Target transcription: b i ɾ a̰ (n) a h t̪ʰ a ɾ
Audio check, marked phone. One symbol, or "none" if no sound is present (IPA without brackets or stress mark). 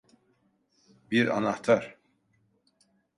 n